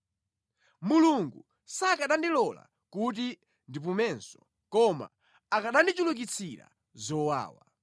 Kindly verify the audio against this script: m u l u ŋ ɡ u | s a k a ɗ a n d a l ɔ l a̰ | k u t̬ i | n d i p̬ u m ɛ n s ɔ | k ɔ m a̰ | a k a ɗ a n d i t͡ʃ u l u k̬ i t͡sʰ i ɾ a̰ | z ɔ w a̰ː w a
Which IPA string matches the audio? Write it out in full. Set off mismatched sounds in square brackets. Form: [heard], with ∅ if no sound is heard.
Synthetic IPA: m u l u ŋ ɡ u | s a k a ɗ a n d [i] l ɔ l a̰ | k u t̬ i | n d i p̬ u m ɛ n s ɔ | k ɔ m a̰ | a k a ɗ a n d i t͡ʃ u l u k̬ i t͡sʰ i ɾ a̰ | z ɔ w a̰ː w a